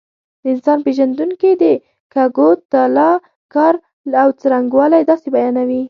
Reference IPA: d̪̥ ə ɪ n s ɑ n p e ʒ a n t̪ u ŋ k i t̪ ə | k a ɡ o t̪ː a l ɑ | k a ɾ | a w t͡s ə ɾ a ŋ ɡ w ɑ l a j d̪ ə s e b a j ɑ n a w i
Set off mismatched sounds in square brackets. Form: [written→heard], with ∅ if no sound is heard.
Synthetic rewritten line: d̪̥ ə ɪ n s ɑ n p e ʒ a n [t̪→d̪] u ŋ k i [t̪→d̪] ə | k a ɡ o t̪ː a l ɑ | k [a→ɑ] ɾ | a w t͡s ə ɾ a ŋ ɡ w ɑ l a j d̪ [ə→ɑ] s e b a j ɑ n a w i